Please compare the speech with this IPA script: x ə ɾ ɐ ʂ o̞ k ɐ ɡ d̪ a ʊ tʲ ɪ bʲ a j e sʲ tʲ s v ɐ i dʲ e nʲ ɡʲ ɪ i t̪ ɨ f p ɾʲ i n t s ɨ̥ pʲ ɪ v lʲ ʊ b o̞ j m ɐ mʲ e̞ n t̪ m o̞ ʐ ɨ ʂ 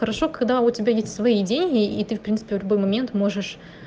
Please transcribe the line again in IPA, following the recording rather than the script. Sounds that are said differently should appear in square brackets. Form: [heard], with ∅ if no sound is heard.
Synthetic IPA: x ə ɾ ɐ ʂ o̞ k ɐ ɡ d̪ a ʊ tʲ ɪ bʲ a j e sʲ tʲ s v ɐ i dʲ e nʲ ɡʲ ɪ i t̪ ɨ f p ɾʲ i n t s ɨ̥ pʲ ɪ v lʲ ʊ b o̞ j m ɐ mʲ e̞ n t̪ m o̞ ʐ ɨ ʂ